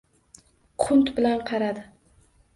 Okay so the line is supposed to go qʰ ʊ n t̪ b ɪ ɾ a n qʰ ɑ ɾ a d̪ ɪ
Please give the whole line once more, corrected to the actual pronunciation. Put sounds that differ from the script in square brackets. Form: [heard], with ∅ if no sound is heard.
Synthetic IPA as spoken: qʰ ʊ n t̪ b ɪ [l] a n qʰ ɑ ɾ a d̪ ɪ